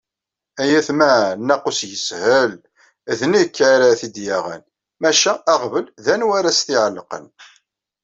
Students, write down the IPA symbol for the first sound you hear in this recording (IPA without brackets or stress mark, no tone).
æ